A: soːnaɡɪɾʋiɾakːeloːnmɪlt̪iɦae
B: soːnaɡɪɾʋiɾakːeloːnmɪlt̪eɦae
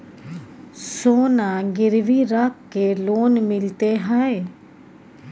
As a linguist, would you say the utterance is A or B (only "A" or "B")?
B